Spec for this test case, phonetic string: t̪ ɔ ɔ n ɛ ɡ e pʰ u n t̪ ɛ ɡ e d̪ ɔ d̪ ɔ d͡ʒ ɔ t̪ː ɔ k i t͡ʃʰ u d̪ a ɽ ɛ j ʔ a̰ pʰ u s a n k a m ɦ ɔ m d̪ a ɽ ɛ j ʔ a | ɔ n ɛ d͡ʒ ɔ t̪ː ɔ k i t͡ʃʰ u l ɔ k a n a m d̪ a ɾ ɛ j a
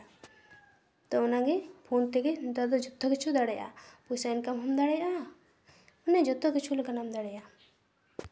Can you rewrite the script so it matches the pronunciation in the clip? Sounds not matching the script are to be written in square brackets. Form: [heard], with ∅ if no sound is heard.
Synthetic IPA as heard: t̪ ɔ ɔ n [a] ɡ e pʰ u n t̪ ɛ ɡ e d̪ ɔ d̪ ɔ d͡ʒ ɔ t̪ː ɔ k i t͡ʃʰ u d̪ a ɽ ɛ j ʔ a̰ [p] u s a n k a m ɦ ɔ m d̪ a ɽ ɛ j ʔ a | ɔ n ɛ d͡ʒ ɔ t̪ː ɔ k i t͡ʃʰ u l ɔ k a n a m d̪ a [ɽ] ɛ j a